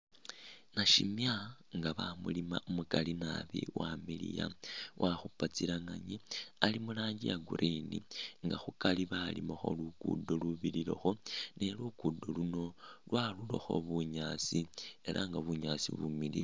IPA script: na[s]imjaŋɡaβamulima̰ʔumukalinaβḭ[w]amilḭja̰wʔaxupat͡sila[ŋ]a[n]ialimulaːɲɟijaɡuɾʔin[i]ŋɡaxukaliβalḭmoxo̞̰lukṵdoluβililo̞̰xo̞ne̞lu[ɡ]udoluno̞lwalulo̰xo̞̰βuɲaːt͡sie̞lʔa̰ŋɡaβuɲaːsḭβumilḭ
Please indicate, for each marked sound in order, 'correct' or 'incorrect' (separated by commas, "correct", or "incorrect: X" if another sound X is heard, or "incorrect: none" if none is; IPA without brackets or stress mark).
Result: incorrect: ʃ, correct, correct, incorrect: ɲ, correct, incorrect: k